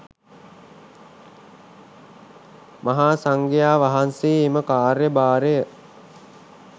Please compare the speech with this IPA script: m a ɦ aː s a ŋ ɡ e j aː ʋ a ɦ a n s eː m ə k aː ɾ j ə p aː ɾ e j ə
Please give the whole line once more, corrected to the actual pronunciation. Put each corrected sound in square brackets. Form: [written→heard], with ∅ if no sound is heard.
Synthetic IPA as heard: m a ɦ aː s a ŋ ɡ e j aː ʋ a ɦ a n s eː m ə k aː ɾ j ə [p→b] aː ɾ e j ə